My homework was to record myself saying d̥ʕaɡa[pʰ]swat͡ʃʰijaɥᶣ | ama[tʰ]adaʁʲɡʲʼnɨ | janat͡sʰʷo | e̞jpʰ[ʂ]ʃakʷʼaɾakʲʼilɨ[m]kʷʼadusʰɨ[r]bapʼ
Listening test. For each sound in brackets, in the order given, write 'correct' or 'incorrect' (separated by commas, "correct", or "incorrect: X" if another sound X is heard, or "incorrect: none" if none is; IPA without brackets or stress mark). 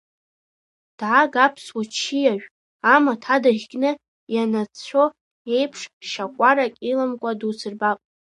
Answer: correct, correct, correct, correct, correct